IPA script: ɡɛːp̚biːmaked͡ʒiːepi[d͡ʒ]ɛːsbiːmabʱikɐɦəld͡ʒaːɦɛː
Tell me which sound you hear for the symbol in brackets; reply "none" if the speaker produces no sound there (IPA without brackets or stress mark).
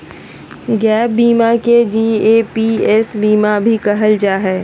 none